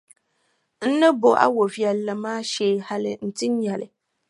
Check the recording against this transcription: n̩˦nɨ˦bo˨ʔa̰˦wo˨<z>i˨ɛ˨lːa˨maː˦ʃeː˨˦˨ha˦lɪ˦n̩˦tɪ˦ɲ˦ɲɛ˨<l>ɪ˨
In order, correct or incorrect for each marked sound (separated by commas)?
incorrect, correct